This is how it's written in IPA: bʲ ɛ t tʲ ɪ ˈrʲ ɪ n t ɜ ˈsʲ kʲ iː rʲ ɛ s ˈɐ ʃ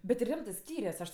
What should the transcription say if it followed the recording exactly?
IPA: bʲ ɛ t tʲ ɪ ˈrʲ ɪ m t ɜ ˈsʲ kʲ iː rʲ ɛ s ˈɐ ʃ